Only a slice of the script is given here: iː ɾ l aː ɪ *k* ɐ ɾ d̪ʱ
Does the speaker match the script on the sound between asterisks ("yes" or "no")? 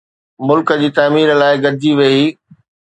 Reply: no